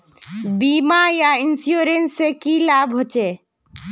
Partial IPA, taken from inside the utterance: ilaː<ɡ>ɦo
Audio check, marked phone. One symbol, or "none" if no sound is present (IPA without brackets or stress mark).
b